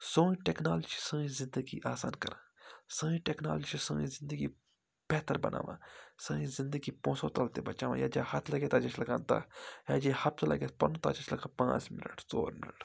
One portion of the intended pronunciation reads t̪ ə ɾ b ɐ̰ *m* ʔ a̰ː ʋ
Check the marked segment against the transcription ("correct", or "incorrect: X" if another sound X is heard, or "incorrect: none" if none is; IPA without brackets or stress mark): incorrect: n